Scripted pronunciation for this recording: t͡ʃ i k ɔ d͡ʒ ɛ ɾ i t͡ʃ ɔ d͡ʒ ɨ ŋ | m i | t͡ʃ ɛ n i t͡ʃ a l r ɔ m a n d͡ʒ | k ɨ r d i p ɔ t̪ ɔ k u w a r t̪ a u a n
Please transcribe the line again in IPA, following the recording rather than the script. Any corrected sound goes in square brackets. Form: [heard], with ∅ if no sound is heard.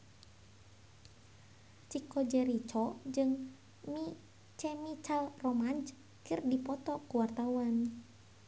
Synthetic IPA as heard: t͡ʃ i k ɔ d͡ʒ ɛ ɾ i t͡ʃ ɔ d͡ʒ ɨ ŋ | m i | t͡ʃ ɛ [m] i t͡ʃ a l r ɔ m a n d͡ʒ | k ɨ r d i p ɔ t̪ ɔ k u w a r t̪ a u a n